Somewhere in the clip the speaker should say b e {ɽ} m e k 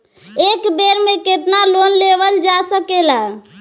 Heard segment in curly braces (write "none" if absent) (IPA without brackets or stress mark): ɾ